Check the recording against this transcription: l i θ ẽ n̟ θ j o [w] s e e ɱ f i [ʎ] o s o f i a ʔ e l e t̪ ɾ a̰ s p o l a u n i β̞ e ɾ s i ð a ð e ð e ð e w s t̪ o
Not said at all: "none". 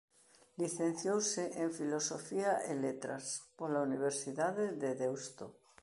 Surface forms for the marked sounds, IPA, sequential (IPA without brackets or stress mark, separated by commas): w, l